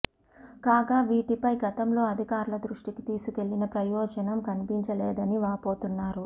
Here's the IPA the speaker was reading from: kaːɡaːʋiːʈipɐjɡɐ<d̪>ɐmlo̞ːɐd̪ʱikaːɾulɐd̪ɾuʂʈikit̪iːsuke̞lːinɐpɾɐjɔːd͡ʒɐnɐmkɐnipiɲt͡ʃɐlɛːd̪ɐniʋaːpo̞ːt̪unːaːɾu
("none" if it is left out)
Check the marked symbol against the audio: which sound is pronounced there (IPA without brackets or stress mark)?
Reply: t̪